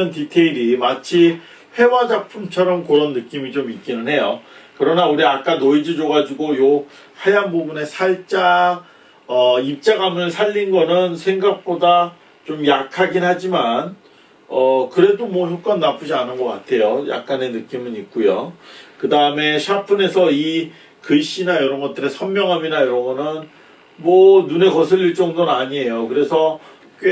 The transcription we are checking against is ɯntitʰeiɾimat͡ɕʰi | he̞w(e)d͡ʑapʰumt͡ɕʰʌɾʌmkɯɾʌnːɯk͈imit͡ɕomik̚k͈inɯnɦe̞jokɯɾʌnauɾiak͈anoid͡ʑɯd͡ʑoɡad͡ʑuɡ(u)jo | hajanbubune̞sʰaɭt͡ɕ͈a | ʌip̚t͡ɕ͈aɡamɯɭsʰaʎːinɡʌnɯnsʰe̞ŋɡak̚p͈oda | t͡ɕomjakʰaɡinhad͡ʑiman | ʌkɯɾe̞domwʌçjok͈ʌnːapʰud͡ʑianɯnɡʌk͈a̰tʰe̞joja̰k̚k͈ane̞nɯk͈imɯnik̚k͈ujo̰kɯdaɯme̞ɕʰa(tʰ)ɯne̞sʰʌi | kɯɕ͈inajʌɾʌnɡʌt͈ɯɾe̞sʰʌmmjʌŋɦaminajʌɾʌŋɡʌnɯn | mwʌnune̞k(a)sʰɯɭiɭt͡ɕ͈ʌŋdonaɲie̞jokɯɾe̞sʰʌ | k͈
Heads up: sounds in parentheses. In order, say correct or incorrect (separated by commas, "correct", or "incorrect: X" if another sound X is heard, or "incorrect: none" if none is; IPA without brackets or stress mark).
incorrect: a, incorrect: o, incorrect: pʰ, incorrect: ʌ